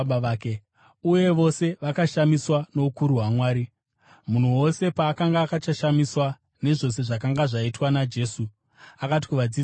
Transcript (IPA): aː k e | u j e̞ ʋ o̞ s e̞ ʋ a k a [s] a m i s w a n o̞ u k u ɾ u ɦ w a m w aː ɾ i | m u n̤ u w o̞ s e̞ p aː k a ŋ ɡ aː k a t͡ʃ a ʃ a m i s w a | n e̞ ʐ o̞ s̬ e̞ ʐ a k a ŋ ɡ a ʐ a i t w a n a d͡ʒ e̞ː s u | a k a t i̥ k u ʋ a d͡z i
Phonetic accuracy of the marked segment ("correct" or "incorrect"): incorrect